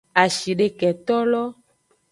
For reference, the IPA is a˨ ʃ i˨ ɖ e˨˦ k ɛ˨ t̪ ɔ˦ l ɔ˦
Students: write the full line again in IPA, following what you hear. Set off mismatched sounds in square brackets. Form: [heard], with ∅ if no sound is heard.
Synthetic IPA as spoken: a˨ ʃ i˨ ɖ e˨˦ k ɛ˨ t̪ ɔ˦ l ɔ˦